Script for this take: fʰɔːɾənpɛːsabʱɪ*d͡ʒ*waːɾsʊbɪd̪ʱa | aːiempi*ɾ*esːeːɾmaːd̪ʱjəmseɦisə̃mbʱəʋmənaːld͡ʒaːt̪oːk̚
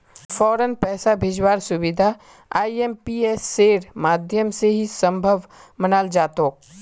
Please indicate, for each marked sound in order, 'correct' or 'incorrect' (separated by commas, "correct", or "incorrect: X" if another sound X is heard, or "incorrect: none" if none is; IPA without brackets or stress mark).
correct, incorrect: none